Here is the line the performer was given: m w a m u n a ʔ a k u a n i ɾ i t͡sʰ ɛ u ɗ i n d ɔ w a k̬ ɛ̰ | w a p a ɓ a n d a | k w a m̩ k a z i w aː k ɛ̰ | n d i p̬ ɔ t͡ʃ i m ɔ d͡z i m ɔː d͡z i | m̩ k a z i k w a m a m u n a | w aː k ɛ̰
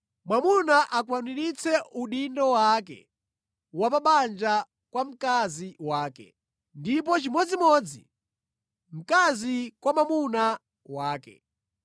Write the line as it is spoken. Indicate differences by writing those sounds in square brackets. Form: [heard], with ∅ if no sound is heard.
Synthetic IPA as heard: m w a m u n a ʔ a k [w] a n i ɾ i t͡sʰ ɛ u ɗ i n d ɔ w a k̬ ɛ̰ | w a p a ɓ a n [d͡ʒ] a | k w a m̩ k a z i w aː k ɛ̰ | n d i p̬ ɔ t͡ʃ i m ɔ d͡z i m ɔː d͡z i | m̩ k a z i k w a m a m u n a | w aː k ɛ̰